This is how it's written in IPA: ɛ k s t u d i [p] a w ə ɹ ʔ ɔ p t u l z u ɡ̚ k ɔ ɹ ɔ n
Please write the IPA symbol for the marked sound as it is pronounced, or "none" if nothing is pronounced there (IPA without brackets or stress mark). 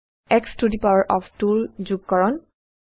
p